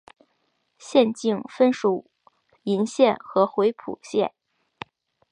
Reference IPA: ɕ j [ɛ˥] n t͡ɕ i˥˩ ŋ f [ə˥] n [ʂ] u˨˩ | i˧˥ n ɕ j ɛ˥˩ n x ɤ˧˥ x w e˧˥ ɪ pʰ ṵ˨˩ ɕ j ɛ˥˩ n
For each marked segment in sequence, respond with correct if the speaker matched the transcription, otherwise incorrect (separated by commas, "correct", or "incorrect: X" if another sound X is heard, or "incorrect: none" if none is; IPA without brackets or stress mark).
incorrect: ɛ˥˧, correct, correct